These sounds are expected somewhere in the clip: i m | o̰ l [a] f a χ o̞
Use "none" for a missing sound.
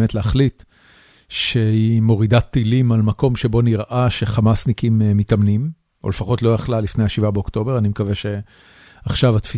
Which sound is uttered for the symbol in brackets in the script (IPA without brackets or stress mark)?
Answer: e